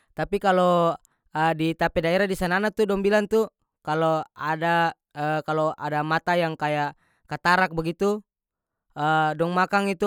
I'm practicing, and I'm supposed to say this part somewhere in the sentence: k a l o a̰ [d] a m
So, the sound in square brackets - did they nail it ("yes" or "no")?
yes